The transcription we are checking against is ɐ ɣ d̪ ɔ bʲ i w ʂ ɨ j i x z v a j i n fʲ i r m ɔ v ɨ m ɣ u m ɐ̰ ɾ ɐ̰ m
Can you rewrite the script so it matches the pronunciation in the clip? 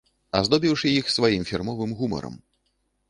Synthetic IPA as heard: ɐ z d̪ ɔ bʲ i w ʂ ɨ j i x s v a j i m fʲ i r m ɔ v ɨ m ɣ u m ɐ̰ ɾ ɐ̰ m

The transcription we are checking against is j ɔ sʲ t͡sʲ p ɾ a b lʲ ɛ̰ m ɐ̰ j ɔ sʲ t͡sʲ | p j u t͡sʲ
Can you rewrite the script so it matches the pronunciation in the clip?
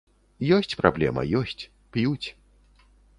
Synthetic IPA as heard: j ɔ sʲ t͡sʲ p ɾ a b lʲ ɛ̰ m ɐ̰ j ɔ sʲ t͡sʲ | p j u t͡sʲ

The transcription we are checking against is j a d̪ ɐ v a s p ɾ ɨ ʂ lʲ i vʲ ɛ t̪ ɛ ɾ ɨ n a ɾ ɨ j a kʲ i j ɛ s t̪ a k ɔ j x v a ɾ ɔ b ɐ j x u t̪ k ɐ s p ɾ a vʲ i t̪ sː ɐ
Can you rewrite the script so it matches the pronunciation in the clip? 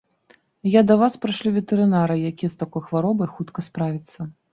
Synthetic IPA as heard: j a d̪ ɐ v a s p ɾ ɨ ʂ lʲ i vʲ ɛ t̪ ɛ ɾ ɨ n a ɾ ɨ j a kʲ i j ɛ s t̪ a k ɔ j x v a ɾ ɔ b ɐ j x u t̪ k ɐ s p ɾ a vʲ i t̪ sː ɐ

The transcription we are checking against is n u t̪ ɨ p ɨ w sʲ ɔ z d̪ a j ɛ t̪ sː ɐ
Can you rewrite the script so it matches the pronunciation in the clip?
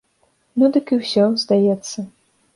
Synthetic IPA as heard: n u d̪ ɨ k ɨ w sʲ ɔ z d̪ a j ɛ t̪ sː ɐ

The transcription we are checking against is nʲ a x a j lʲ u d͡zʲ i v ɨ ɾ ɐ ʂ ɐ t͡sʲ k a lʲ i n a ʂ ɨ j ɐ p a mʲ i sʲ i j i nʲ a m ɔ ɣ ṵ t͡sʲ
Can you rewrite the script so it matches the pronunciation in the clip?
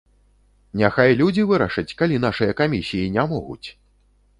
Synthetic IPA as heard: nʲ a x a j lʲ u d͡zʲ i v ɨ ɾ ɐ ʂ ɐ t͡sʲ k a lʲ i n a ʂ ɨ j ɐ k a mʲ i sʲ i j i nʲ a m ɔ ɣ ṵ t͡sʲ

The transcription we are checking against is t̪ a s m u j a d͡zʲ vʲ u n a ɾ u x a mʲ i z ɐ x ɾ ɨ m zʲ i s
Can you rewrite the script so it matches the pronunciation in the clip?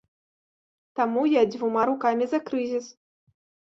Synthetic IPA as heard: t̪ a m u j a d͡zʲ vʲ u m a ɾ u k a mʲ i z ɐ k ɾ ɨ zʲ i s

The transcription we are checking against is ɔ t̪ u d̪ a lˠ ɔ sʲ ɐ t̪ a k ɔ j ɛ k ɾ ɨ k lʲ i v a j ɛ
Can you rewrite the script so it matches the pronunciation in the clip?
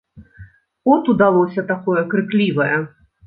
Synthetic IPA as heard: ɔ t̪ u d̪ a lˠ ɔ sʲ ɐ t̪ a k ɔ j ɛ k ɾ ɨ k lʲ i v ɐ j ɛ

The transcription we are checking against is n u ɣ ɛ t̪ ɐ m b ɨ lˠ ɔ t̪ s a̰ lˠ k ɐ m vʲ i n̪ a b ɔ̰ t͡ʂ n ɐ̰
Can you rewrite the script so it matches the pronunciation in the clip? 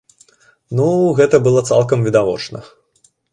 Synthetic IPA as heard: n u ɣ ɛ t̪ ɐ b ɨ lˠ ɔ t̪ s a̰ lˠ k ɐ m vʲ i d̪ a v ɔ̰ t͡ʂ n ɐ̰

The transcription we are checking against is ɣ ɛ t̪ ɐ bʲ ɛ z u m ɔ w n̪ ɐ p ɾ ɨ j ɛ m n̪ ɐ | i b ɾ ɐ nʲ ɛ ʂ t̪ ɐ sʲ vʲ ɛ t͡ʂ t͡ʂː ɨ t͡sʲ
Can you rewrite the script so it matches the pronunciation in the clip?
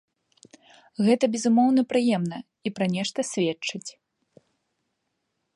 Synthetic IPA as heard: ɣ ɛ t̪ ɐ bʲ ɛ z u m ɔ w n̪ ɐ p ɾ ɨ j ɛ m n̪ ɐ | i p ɾ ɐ nʲ ɛ ʂ t̪ ɐ sʲ vʲ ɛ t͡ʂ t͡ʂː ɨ t͡sʲ

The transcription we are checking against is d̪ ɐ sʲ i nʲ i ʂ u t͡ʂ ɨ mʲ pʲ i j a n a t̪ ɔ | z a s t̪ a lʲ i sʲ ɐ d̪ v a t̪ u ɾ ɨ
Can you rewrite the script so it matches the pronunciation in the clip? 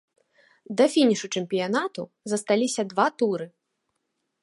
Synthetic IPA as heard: d̪ ɐ fʲ i nʲ i ʂ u t͡ʂ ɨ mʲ pʲ i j a n a t̪ u | z ɐ s t̪ a lʲ i sʲ ɐ d̪ v a t̪ u ɾ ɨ

